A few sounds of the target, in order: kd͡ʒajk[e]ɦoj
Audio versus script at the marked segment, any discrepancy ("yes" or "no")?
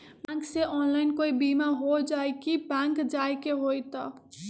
no